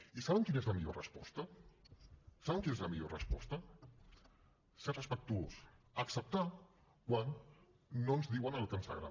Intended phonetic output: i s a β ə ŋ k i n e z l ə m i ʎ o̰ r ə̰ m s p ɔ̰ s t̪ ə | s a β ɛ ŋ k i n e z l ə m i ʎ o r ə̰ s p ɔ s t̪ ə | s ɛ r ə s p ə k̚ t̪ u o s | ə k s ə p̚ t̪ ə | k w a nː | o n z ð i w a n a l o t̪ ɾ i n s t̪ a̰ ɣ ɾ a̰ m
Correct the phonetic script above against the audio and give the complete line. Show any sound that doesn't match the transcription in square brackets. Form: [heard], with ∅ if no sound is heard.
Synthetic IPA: i s a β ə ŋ k i n e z l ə m i ʎ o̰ r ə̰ [∅] s p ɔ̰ s t̪ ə | s a β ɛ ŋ k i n e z l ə m i ʎ o r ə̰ s p ɔ s t̪ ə | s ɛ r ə s p ə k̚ t̪ u o s | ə k s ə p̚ t̪ [a] | k w a nː | o n z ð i w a n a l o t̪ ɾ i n s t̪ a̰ ɣ ɾ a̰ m